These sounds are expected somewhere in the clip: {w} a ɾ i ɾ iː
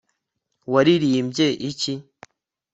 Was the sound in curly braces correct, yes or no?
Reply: yes